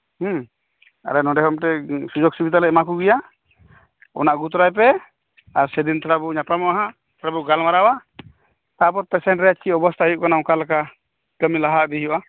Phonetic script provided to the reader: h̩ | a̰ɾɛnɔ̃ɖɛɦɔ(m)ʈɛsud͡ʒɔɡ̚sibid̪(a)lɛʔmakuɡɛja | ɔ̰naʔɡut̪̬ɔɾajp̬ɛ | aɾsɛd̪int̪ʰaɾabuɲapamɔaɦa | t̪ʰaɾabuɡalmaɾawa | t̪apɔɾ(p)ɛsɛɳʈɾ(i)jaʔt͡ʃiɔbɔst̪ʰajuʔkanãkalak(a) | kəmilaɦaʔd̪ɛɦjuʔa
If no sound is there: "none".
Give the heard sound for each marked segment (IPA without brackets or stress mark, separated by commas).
m, a, p, ɛ, a